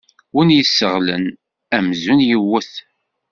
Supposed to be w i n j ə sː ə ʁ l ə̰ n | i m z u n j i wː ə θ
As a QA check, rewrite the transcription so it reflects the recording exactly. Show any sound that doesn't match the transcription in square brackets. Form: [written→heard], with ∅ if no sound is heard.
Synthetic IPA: w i n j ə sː ə ʁ l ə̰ n | [i→æ] m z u n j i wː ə θ